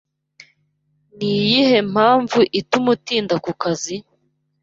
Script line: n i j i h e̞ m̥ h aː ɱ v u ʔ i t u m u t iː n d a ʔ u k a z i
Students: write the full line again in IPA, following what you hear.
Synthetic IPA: n i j i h e̞ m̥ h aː ɱ v u ʔ i t u m u t iː n d a k u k a z i

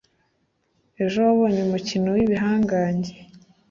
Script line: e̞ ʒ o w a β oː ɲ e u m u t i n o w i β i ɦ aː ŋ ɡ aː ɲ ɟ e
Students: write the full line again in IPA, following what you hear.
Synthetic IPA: e̞ ʒ o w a β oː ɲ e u m u c i n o w i β i ɦ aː ŋ ɡ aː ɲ ɟ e

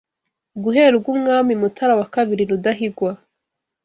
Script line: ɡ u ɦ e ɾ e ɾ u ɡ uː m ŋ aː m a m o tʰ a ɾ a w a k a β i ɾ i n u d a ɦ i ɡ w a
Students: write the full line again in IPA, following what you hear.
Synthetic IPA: ɡ u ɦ e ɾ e ɾ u ɡ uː m ŋ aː m i m u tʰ a ɾ a w a k a β i ɾ i n u d a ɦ i ɡ w a

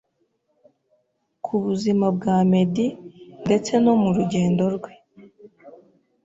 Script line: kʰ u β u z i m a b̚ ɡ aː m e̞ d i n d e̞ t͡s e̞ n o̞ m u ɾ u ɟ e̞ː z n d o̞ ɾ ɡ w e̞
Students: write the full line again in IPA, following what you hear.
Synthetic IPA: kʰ u β u z i m a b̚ ɡ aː m e̞ d i n d e̞ t͡s e̞ n o̞ m u ɾ u ɟ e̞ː n d o̞ ɾ ɡ w e̞

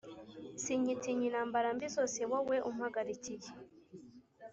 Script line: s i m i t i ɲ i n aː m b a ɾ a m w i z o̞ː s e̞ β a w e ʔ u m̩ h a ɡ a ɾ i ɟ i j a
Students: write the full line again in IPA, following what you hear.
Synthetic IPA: s i ɲ i t i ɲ i n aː m b a ɾ a m b i z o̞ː s e̞ w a w e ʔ u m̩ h a ɡ a ɾ i c i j e

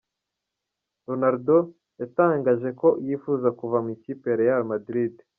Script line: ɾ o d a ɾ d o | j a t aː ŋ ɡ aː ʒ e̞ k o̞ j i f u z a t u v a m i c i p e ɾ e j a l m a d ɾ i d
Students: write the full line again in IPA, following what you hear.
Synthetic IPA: ɾ o n a ɾ d o | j a t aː ŋ ɡ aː ʒ e̞ k o̞ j i f u z a k u v a m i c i p e ɾ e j a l m a d ɾ i d

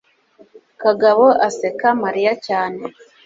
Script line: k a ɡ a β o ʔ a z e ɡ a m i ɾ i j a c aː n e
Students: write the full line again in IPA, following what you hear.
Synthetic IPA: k a ɡ a β o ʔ a s e k a m a ɾ i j a c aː n e

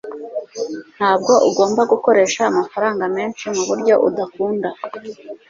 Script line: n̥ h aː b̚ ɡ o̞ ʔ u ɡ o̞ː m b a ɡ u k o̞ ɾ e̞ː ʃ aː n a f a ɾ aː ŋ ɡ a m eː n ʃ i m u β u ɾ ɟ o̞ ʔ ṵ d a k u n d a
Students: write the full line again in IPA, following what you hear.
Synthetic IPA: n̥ h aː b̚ ɡ o̞ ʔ u ɡ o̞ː m b a ɡ u k o̞ ɾ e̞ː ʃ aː m a f a ɾ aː ŋ ɡ a m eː n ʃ i m u β u ɾ ɟ o̞ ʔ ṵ d a k uː n d a

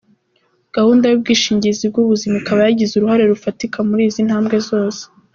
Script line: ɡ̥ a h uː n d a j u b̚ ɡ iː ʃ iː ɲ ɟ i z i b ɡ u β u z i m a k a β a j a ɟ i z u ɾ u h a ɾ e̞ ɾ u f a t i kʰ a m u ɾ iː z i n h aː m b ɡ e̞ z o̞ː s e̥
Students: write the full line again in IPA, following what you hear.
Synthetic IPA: ɡ̥ a h uː n d a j u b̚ ɡ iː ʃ iː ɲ ɟ i z i b ɡ u β u z i m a k a β a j a ɟ i z u ɾ u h a ɾ e̞ ɾ u f a t i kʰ a m u ɾ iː z i n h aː m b ɡ e̞ z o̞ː s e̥

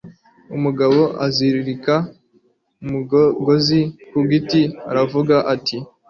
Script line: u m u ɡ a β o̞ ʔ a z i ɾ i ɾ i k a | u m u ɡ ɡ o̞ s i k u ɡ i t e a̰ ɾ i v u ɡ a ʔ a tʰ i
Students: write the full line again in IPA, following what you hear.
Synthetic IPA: u m u ɡ a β o̞ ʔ a z i ɾ i ɾ i k a | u m u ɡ ɡ o̞ z i k u ɡ i t i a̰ ɾ a v u ɡ a ʔ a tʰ i

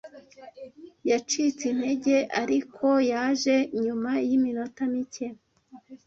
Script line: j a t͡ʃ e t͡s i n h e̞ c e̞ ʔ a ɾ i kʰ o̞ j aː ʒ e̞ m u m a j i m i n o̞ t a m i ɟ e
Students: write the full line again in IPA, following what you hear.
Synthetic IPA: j a t͡ʃ i t͡s i n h e̞ ɟ e̞ ʔ a ɾ i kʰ o̞ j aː ʒ e̞ ɲ u m a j i m i n o̞ t a m i c e

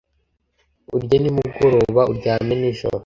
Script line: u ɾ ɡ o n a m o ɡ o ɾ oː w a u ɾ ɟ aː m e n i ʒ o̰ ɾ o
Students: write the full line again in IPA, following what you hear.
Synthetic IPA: u ɾ ɟ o n i m u ɡ o ɾ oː β a u ɾ ɟ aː m e n i ʒ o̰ ɾ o

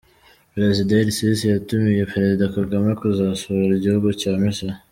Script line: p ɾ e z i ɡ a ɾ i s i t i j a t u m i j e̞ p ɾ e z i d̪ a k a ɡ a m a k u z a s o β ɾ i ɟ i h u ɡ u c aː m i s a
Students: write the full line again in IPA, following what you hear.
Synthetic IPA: p ɾ e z i d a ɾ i s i s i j a t u m i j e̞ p ɾ e z i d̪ a k a ɡ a m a k u z a s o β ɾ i ɟ i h u ɡ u c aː m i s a

